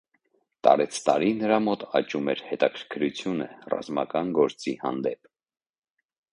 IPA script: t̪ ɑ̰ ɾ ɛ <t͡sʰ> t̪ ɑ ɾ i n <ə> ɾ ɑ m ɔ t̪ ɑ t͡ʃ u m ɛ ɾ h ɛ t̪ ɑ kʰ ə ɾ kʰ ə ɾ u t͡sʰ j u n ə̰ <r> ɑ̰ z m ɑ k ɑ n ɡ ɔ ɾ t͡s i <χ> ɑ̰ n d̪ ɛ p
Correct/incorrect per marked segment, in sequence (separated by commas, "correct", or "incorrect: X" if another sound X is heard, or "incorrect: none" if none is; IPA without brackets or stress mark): correct, correct, correct, incorrect: h